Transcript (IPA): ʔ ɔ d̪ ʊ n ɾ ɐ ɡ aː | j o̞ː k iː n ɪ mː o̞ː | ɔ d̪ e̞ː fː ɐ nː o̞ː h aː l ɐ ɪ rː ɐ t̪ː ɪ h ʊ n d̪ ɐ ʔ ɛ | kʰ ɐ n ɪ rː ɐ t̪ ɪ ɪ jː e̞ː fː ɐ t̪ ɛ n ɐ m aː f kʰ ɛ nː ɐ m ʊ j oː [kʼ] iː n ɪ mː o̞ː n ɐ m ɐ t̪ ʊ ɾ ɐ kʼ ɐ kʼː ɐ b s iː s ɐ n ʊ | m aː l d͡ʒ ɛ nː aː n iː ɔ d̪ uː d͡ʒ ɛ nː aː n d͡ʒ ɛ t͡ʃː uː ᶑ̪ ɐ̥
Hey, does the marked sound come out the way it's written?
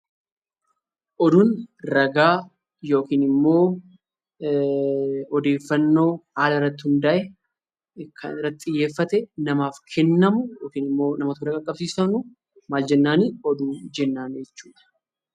no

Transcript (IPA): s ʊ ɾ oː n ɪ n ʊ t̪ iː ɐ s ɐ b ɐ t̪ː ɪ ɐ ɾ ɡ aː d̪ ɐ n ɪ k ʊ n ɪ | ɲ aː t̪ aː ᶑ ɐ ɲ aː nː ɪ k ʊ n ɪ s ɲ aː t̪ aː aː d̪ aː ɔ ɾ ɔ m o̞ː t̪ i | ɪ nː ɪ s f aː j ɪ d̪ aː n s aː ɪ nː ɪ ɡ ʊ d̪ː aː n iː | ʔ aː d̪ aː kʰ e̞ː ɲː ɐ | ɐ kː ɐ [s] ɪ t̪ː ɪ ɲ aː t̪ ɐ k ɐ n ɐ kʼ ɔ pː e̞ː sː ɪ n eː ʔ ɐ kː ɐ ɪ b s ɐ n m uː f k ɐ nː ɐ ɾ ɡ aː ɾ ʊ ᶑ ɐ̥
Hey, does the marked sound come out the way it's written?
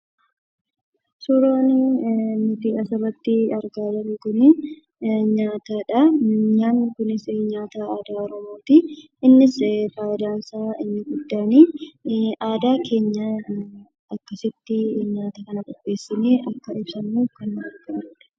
yes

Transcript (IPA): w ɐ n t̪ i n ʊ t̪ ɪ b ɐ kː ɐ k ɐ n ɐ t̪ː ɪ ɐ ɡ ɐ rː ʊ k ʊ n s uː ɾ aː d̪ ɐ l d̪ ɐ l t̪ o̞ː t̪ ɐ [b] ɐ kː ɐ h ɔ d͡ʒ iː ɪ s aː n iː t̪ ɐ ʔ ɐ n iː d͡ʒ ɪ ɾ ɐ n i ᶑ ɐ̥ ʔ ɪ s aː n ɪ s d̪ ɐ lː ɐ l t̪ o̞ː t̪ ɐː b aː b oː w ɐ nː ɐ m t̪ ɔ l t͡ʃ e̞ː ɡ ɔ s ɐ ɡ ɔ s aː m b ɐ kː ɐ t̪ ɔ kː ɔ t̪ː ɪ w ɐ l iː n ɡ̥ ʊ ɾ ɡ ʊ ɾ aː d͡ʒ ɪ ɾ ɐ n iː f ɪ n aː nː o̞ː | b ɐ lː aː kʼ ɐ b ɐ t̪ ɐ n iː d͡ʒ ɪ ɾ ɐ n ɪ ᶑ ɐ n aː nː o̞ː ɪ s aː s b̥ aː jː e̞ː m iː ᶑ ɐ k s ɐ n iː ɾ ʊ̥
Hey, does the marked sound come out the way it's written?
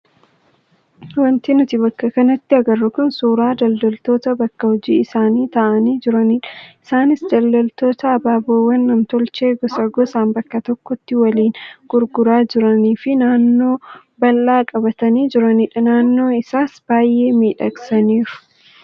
yes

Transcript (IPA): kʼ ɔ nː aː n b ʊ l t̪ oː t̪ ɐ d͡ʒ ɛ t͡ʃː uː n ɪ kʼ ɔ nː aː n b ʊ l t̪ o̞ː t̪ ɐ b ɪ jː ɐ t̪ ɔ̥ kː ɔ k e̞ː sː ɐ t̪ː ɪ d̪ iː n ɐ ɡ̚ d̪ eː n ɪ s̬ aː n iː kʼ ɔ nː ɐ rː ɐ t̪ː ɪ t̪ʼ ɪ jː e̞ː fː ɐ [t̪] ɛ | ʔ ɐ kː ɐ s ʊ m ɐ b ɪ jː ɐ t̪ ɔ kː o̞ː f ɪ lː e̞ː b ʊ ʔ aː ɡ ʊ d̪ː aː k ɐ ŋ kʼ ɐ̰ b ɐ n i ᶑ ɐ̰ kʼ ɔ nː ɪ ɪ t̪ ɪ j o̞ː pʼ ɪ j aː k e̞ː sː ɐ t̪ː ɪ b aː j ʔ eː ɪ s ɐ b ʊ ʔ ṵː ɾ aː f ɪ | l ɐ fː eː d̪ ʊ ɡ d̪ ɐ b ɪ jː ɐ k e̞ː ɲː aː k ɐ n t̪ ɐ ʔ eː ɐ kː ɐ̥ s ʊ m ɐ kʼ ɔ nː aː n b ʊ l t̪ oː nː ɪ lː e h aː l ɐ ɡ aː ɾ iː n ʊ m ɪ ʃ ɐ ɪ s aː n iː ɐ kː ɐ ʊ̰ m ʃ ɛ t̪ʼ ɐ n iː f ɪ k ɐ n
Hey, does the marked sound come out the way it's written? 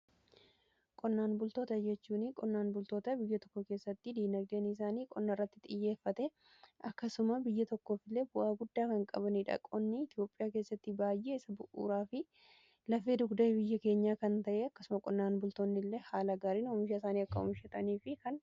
yes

